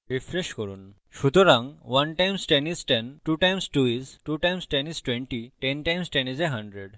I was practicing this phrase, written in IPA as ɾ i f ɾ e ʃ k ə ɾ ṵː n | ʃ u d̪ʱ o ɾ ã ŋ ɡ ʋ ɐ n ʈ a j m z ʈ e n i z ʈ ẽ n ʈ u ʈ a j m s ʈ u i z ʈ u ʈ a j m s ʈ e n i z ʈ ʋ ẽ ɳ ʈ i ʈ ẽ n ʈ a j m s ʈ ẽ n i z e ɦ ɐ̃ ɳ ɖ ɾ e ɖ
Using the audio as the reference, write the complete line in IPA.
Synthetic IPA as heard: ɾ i f ɾ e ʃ k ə ɾ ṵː n | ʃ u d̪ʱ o ɾ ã ŋ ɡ ʋ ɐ n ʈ a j m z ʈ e n i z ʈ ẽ n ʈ u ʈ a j m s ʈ u i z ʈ u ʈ a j m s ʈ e n i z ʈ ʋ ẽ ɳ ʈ i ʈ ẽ n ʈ a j m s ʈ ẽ n i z e ɦ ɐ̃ ɳ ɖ ɾ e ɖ